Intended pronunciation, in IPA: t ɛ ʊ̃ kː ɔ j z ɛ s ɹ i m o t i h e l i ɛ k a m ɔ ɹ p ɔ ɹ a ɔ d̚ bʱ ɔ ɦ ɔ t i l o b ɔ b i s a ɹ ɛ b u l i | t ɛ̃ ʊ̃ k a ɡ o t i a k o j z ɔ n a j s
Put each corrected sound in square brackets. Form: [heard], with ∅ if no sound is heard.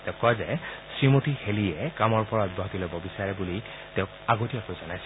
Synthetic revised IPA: t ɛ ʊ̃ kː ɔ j z ɛ s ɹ i m o t i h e l i ɛ k a m ɔ ɹ p ɔ ɹ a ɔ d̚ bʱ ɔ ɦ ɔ t i l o b ɔ b i s a ɹ ɛ b u l i | t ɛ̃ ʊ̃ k a ɡ o t i a k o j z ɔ n a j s